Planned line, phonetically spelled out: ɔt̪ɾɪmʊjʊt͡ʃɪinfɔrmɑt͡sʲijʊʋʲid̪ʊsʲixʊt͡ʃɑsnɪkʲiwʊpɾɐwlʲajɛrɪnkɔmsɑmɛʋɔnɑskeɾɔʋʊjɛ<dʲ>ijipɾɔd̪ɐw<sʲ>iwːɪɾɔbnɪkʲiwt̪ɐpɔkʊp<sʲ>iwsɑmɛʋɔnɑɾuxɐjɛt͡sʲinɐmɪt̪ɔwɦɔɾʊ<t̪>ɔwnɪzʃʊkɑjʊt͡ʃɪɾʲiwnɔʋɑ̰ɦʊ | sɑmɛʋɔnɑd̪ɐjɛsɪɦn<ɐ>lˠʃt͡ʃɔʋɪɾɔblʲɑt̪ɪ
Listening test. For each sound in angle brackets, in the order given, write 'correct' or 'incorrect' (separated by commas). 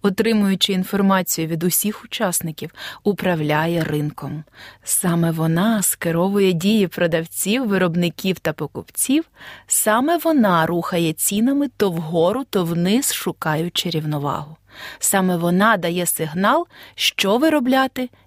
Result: correct, incorrect, incorrect, correct, incorrect